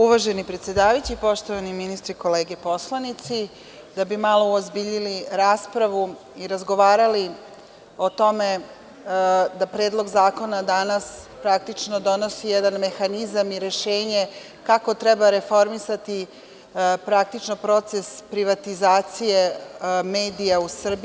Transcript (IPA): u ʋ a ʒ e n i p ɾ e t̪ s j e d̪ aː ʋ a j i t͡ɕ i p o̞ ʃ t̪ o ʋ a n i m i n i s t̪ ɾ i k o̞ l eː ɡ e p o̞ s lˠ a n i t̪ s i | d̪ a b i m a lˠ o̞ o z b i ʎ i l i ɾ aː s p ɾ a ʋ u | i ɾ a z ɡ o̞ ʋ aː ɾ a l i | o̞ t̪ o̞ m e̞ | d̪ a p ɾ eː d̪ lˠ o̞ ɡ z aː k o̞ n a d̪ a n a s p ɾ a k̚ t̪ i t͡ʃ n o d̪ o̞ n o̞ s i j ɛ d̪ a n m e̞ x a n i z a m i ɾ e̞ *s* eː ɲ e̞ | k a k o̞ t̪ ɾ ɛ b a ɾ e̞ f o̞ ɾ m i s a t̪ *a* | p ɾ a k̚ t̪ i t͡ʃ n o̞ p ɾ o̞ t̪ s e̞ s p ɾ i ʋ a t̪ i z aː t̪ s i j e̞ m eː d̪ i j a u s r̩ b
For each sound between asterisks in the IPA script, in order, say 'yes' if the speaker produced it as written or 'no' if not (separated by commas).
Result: no, no